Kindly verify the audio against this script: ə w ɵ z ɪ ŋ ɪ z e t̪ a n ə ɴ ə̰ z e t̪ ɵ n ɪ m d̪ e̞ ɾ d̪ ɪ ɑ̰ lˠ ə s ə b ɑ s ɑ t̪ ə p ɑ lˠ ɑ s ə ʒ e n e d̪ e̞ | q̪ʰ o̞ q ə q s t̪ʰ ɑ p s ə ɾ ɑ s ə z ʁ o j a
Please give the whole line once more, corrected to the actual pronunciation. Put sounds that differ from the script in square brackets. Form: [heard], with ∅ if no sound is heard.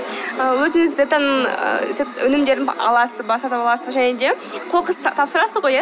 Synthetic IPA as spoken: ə w ɵ z ɪ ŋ ɪ z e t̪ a n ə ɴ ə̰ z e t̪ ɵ n ɪ m d̪ e̞ ɾ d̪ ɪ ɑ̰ lˠ [ɑ] s ə b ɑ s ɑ t̪ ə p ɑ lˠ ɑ s ə ʒ [æ] n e d̪ e̞ | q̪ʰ o̞ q ə [∅] s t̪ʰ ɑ p s ə ɾ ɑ s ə z ʁ o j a